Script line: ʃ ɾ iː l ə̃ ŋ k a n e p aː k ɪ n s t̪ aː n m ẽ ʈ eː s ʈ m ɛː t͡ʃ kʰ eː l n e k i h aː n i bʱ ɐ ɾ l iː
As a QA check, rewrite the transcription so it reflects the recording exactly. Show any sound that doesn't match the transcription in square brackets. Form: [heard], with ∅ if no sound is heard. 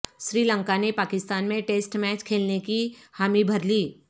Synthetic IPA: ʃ ɾ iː l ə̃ ŋ k a n e p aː k ɪ [∅] s t̪ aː n m ẽ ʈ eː s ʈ m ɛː t͡ʃ kʰ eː l n e k i h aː [m] i bʱ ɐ ɾ l iː